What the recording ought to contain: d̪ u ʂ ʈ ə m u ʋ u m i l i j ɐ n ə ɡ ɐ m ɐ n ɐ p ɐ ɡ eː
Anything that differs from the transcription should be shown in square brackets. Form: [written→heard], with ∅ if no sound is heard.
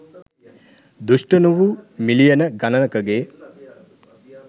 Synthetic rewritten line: d̪ u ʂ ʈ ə [m→n] u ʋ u m i l i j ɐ n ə ɡ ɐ [m→n] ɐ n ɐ [p→k] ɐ ɡ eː